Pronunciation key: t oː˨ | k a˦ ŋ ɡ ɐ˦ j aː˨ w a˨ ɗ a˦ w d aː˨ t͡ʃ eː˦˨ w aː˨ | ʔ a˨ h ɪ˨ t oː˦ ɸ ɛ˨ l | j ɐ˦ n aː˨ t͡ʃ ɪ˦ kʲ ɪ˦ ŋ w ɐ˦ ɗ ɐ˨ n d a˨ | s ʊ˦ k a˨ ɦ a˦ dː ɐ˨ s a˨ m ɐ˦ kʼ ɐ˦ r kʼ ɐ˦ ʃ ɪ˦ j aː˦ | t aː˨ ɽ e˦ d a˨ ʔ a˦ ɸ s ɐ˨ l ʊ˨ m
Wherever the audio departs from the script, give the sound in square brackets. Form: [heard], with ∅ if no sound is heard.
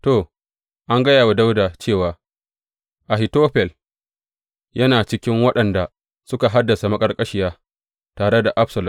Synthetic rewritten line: t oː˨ | [ʔ] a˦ ŋ ɡ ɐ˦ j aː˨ w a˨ [d] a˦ w d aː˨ t͡ʃ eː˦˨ w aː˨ | ʔ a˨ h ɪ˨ t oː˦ ɸ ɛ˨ l | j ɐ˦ n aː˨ t͡ʃ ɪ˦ kʲ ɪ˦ ŋ w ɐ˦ ɗ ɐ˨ n d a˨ | s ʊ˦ k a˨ ɦ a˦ dː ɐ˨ s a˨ m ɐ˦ kʼ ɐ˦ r kʼ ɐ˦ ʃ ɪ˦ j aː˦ | t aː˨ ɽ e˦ d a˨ ʔ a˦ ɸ s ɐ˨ l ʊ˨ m